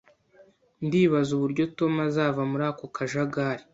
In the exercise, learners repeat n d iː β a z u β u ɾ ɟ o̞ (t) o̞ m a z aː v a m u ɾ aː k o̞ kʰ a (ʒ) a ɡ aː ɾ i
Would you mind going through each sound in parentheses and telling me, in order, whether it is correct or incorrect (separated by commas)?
correct, correct